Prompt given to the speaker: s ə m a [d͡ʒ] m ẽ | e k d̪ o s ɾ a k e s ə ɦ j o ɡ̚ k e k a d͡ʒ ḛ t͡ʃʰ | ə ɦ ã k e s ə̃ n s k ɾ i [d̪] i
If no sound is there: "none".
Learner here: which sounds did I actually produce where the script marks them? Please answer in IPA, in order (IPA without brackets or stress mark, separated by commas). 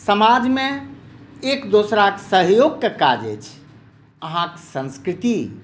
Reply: d͡ʒ, t̪